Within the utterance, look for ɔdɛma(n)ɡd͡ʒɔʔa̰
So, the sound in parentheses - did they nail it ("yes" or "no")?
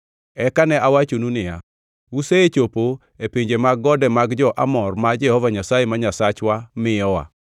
no